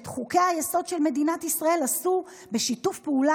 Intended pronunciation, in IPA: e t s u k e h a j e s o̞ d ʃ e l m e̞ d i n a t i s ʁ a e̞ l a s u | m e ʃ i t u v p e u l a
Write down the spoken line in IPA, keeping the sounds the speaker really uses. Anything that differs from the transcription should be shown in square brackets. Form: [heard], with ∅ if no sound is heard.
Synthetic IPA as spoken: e t [χ] u k e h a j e s o̞ d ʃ e l m e̞ d i n a t i s ʁ a e̞ l a s u | [b] e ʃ i t u [f] p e u l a